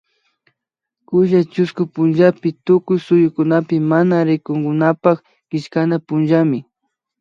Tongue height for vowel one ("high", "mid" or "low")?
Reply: high